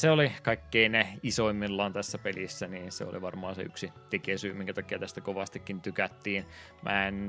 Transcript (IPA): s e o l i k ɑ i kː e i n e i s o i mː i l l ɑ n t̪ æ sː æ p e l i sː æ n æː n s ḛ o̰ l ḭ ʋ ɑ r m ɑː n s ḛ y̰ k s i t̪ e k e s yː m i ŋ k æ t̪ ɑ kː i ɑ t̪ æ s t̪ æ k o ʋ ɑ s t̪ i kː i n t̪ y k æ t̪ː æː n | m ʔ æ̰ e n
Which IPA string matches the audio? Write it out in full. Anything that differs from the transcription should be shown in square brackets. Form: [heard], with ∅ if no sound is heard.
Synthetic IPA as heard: s e o l i k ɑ i kː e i n e i s o i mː i l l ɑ n t̪ æ sː æ p e l i sː æ n [iː] n s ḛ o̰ l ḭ ʋ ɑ r m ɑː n s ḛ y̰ k s i t̪ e k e s yː m i ŋ k æ t̪ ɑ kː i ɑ t̪ æ s t̪ æ k o ʋ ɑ s t̪ i kː i n t̪ y k æ t̪ː [iː] n | m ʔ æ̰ e n